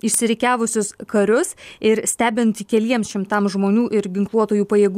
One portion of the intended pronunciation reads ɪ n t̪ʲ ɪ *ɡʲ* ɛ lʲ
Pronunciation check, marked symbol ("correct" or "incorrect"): incorrect